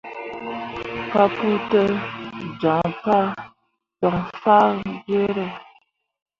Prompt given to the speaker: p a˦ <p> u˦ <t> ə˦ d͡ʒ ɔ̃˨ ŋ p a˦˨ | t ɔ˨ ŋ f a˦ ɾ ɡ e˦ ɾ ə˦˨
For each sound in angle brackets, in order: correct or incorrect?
correct, correct

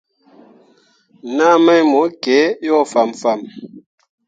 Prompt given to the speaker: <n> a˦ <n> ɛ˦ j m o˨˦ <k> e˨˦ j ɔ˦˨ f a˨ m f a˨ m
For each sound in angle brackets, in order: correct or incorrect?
correct, incorrect: m, correct

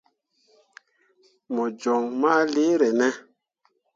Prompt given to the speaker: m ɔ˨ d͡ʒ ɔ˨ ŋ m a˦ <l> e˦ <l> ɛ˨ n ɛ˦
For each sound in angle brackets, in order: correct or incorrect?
correct, incorrect: ɾ

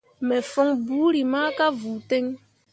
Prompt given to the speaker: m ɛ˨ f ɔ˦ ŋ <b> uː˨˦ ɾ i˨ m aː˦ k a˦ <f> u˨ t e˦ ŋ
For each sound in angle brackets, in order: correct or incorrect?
correct, incorrect: v

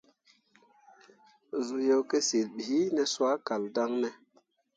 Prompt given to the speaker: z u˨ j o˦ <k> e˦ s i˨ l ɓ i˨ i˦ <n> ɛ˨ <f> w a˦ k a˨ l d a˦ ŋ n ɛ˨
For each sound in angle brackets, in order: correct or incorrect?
correct, correct, incorrect: s

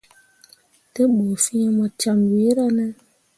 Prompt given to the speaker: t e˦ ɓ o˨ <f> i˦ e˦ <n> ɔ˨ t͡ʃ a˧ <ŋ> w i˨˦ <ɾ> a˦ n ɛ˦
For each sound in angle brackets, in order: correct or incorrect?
correct, incorrect: m, incorrect: m, correct

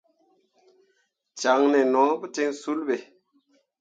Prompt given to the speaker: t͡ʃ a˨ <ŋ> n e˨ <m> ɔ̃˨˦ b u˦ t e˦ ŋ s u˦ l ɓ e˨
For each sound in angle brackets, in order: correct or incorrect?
correct, incorrect: n

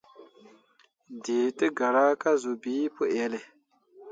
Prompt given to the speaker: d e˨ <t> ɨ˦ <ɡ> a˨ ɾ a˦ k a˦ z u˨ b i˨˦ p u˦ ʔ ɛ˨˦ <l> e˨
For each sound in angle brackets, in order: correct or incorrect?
correct, correct, correct

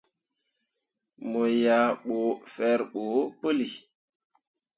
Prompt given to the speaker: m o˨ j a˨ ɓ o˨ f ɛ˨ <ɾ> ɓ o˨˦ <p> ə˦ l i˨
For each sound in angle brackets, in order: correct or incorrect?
correct, correct

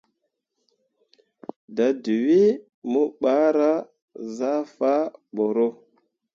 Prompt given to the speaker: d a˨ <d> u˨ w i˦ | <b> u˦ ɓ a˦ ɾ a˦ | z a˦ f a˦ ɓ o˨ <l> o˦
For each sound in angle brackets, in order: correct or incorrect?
correct, incorrect: m, incorrect: ɾ

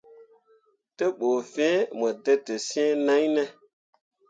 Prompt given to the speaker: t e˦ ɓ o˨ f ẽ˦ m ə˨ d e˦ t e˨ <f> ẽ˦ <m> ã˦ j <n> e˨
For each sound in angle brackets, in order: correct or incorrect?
incorrect: s, incorrect: n, correct

